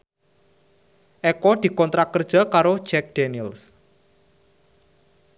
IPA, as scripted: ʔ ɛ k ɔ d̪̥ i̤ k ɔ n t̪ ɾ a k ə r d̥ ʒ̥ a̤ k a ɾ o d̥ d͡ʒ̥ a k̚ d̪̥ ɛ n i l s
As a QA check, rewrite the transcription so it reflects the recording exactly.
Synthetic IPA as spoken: ʔ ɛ k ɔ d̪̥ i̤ k ɔ n t̪ ɾ a k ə r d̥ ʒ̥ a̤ k a ɾ o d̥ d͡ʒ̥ ɛ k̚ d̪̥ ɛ n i l s